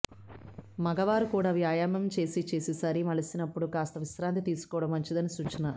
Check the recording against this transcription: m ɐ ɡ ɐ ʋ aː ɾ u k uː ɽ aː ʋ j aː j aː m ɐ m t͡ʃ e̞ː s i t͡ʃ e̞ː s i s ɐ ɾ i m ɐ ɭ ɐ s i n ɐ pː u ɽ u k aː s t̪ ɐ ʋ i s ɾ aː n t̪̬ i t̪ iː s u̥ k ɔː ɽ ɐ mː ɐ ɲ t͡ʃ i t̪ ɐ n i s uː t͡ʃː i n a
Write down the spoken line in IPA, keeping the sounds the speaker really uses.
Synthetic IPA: m ɐ ɡ ɐ ʋ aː ɾ u k uː ɽ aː ʋ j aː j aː m ɐ m t͡ʃ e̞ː s i t͡ʃ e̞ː s i s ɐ ɾ i m ɐ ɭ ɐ s i n ɐ pː u ɽ u k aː s t̪ ɐ ʋ i s ɾ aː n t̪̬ i t̪ iː s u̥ k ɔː ɽ ɐ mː ɐ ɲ t͡ʃ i d̪ ɐ n i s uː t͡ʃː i n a

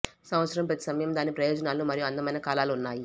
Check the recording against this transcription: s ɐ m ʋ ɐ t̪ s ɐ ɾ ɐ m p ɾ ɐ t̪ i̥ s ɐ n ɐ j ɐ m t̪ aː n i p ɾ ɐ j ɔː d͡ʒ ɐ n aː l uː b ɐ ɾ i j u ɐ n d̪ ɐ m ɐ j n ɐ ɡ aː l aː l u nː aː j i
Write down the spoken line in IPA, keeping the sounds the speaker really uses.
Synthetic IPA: s ɐ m ʋ ɐ t̪ s ɐ ɾ ɐ m p ɾ ɐ t̪ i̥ s ɐ m ɐ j ɐ m d̪ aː n i p ɾ ɐ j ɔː d͡ʒ ɐ n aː l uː m ɐ ɾ i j u ɐ n d̪ ɐ m ɐ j n ɐ k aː l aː l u nː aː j i

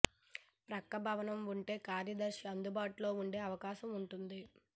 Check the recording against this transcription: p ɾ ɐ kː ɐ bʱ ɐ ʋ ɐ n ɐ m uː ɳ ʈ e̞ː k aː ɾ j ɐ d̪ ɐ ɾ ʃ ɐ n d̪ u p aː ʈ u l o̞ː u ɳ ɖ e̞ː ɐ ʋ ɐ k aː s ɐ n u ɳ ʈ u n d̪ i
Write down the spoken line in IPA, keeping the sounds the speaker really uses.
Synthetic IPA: p ɾ ɐ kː ɐ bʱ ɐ ʋ ɐ n ɐ m u ɳ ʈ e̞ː k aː ɾ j ɐ d̪ ɐ ɾ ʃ ɐ n d̪ u b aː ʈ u l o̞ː u ɳ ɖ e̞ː ɐ ʋ ɐ k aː ʃ ɐ m u ɳ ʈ u n d̪ i

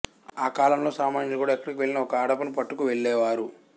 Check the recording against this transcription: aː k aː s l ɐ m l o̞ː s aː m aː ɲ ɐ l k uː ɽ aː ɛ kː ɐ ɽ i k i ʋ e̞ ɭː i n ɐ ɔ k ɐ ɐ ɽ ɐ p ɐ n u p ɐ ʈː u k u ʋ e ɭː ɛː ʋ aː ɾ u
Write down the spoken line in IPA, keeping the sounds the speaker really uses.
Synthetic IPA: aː k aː l ɐ m l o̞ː s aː m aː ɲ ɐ l k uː ɽ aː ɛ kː ɐ ɽ i k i ʋ e̞ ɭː i n ɐ ɔ k ɐ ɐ ɽ ɐ p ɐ n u p ɐ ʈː u k u ʋ e ɭː ɛː ʋ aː ɾ u

